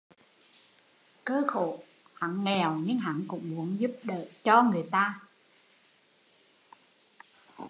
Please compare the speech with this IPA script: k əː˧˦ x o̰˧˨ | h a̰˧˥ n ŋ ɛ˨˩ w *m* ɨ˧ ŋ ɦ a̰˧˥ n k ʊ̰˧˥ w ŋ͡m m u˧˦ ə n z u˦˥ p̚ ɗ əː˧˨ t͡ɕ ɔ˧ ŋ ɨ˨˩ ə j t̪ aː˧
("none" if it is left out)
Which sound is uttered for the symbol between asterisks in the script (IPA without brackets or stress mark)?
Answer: ɲ